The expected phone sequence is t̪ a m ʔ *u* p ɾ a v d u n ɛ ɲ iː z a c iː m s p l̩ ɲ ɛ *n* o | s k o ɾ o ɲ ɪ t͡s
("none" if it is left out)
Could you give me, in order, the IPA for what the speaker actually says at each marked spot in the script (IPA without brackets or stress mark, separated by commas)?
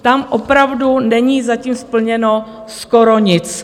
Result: o, n